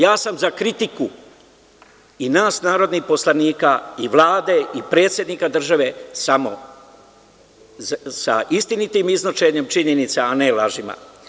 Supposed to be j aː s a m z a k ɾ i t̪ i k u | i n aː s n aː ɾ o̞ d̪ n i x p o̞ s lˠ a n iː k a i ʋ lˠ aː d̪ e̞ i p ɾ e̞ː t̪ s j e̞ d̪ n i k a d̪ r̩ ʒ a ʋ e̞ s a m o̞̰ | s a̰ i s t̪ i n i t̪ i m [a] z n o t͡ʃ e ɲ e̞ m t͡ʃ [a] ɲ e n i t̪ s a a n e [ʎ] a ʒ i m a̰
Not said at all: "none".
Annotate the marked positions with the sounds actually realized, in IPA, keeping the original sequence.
i, i, l

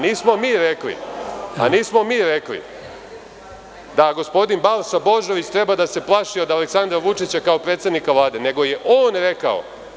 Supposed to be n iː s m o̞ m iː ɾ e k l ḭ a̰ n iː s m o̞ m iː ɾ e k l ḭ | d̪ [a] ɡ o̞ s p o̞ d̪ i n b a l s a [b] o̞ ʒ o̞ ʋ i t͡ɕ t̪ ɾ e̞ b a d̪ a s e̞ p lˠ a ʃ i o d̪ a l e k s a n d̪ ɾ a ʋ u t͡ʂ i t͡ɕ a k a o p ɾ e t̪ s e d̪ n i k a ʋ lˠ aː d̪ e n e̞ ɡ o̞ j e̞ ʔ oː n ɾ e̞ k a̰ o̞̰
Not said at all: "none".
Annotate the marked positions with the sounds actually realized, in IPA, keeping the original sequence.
a, b

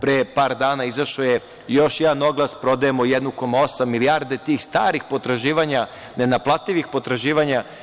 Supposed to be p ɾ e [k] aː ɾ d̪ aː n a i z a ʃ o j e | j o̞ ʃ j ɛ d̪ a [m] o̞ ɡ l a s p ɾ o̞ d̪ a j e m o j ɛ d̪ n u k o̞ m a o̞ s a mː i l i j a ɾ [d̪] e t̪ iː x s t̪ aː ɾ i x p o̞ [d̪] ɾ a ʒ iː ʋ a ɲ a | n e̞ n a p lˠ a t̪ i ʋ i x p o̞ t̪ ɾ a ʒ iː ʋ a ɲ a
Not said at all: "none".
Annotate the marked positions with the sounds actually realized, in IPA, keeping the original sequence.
p, n, d̪, t̪

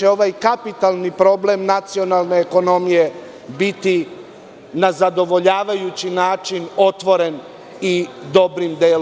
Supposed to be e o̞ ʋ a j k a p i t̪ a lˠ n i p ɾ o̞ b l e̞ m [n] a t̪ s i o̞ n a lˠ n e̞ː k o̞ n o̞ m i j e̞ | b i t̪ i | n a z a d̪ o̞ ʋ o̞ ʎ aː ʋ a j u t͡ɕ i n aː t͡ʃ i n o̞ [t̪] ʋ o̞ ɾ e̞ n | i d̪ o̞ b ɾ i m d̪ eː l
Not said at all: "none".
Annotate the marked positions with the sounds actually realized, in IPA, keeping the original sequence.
n, t̪

